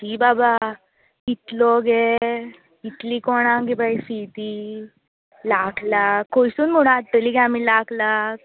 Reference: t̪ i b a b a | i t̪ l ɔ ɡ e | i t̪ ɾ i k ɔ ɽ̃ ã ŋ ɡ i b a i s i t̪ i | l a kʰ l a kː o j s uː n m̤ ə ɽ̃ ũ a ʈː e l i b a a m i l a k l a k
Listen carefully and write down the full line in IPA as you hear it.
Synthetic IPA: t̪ i b a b a | i t̪ l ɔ ɡ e | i t̪ l i k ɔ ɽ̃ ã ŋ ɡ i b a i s i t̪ i | l a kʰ l a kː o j s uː n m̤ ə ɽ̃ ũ a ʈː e l i ɡ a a m i l a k l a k